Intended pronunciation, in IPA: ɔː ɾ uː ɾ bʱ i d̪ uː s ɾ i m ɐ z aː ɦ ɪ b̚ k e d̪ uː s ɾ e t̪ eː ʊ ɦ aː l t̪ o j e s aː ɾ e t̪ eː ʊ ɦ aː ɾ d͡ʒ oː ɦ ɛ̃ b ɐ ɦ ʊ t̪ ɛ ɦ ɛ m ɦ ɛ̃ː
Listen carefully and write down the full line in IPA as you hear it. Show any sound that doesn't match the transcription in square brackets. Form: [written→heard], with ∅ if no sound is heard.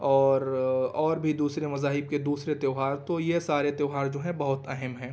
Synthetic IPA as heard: ɔː ɾ [uː→ɔː] ɾ bʱ i d̪ uː s ɾ [i→e] m ɐ z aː ɦ ɪ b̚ k e d̪ uː s ɾ e t̪ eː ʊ ɦ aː [l→ɾ] t̪ o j e s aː ɾ e t̪ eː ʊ ɦ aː ɾ d͡ʒ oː ɦ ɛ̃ b ɐ ɦ ʊ t̪ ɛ ɦ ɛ m ɦ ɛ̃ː